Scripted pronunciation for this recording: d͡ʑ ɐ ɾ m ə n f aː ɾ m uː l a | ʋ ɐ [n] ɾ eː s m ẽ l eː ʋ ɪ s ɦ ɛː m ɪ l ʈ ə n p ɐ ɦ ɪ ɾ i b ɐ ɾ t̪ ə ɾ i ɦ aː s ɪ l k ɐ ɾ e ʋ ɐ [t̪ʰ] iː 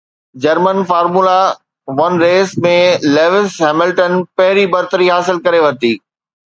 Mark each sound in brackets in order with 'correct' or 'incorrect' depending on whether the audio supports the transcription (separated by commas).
correct, incorrect